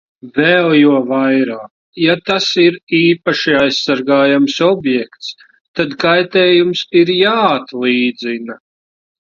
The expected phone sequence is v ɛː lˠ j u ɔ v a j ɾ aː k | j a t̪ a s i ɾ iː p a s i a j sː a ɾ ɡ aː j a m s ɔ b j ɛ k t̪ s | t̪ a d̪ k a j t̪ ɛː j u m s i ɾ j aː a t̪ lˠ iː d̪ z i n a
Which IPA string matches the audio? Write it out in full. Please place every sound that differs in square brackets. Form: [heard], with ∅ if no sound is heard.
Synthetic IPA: v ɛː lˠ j u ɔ v a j ɾ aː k | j a t̪ a s i ɾ iː p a [ʃ] i a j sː a ɾ ɡ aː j a m s ɔ b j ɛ k t̪ s | t̪ a d̪ k a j t̪ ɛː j u m s i ɾ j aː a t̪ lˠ iː d̪ z i n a